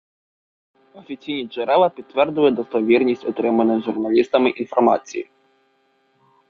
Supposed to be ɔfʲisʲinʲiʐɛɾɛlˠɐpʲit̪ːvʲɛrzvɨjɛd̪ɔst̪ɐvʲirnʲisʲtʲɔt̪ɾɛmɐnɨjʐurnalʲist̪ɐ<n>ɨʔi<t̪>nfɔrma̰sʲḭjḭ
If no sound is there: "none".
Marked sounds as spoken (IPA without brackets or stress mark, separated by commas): m, none